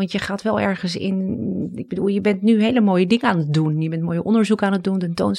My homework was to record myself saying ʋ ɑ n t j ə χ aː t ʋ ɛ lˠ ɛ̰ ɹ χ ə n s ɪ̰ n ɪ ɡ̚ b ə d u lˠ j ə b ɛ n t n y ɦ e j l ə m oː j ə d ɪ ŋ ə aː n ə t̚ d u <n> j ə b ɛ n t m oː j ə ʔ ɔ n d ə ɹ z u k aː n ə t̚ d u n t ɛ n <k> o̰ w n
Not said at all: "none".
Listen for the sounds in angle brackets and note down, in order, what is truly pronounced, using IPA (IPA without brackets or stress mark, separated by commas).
n, t